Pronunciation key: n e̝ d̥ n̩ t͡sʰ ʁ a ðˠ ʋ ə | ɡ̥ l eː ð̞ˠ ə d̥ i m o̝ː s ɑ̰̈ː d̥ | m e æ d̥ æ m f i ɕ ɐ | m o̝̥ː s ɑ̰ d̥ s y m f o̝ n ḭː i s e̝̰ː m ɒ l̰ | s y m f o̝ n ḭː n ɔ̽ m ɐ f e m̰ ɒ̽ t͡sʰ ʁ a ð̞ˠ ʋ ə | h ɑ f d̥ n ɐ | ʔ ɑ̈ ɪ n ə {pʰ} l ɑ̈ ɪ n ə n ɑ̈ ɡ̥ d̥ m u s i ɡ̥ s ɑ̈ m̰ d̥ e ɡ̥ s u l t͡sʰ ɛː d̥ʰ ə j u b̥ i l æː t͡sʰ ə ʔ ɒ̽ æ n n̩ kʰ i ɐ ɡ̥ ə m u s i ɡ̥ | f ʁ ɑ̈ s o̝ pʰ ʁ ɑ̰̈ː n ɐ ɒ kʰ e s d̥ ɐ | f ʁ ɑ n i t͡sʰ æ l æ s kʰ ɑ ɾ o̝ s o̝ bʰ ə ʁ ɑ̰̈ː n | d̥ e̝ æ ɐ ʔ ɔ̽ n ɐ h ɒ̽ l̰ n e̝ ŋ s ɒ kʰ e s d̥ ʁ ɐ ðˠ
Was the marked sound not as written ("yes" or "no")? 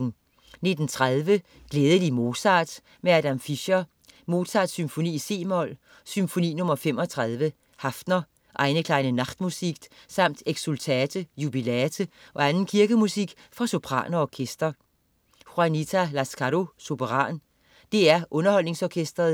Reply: yes